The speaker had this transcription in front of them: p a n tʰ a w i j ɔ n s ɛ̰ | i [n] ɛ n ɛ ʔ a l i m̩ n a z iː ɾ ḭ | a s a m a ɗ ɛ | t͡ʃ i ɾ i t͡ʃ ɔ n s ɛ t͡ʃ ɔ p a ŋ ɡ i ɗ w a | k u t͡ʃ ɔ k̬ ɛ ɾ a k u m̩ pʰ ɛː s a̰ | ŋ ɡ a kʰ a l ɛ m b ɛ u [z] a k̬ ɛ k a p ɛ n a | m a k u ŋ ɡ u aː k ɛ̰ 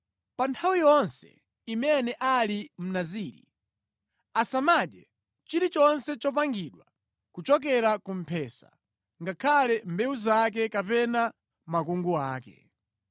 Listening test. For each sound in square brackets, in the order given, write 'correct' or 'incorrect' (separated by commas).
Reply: incorrect, correct